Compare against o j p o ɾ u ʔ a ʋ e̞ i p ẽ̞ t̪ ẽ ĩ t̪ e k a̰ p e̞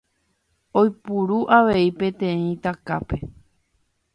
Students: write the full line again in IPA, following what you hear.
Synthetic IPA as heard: o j p u ɾ u ʔ a ʋ e̞ i p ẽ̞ t̪ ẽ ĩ t̪ a k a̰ p e̞